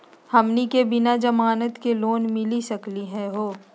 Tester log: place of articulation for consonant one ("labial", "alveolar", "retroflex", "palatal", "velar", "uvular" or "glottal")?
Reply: glottal